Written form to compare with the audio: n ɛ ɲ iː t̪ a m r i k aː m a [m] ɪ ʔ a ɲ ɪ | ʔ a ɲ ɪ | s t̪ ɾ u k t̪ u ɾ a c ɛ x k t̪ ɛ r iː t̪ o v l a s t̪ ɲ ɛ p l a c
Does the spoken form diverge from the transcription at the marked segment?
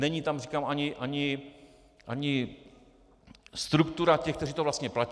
yes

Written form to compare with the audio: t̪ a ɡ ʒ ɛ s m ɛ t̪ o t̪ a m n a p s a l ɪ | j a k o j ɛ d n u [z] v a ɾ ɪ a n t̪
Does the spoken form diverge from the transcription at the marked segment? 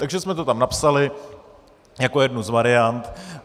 no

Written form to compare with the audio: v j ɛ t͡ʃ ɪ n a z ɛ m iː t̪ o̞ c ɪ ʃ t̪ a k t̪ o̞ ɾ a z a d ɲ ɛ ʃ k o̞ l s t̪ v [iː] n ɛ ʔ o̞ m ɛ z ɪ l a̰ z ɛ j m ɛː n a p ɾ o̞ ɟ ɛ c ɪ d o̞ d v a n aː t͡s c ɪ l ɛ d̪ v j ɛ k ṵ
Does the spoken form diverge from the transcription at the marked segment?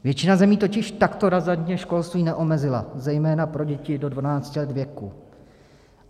no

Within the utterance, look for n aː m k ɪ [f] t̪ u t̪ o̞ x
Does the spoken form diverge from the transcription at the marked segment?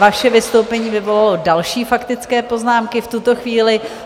no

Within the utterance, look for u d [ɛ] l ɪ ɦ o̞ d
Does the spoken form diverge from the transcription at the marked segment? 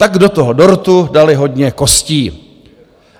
yes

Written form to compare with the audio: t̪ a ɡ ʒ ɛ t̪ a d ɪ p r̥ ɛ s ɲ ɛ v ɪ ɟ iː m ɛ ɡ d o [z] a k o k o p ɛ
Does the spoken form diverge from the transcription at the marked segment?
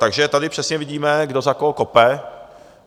no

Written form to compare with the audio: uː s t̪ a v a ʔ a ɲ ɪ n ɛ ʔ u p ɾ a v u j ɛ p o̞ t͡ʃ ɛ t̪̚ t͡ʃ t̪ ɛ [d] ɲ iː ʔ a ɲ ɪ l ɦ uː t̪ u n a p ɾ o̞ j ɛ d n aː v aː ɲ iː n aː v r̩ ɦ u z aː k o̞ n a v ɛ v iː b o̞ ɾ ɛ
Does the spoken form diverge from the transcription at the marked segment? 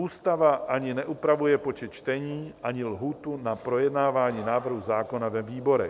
yes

